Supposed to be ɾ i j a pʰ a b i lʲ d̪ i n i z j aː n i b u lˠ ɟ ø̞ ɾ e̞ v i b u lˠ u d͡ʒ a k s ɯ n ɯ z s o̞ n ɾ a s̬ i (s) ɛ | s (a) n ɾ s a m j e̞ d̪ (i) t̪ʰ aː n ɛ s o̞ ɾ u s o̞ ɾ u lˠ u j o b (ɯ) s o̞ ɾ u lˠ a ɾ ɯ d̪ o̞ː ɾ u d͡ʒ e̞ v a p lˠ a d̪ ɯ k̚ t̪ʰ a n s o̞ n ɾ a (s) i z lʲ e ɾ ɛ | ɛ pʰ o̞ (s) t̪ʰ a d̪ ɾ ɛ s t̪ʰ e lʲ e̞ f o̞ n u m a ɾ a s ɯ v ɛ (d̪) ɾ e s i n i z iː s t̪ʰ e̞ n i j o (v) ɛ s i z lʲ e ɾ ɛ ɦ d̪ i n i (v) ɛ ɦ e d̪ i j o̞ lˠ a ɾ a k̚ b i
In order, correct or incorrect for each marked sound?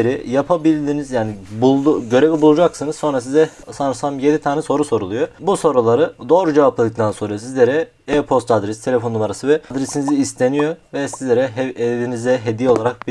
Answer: incorrect: z, correct, correct, incorrect: u, correct, correct, correct, correct, incorrect: z

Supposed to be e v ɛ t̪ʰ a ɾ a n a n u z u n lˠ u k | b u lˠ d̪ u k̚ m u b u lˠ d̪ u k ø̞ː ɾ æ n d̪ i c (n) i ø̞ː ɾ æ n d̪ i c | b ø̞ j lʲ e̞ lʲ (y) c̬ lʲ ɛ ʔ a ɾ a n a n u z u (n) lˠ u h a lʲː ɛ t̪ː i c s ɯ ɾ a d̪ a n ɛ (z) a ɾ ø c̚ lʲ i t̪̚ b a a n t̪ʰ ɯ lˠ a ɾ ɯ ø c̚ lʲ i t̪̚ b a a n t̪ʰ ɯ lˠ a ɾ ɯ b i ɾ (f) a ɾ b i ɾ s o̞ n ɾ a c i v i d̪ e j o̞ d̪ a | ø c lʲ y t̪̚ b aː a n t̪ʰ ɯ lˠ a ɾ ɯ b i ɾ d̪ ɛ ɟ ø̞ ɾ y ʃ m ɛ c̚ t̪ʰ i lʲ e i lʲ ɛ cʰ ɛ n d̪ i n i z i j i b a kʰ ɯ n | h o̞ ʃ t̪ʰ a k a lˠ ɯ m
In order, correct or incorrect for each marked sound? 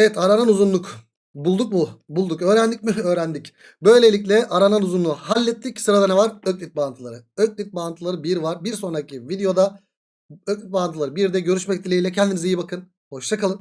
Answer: incorrect: m, incorrect: i, correct, incorrect: v, incorrect: v

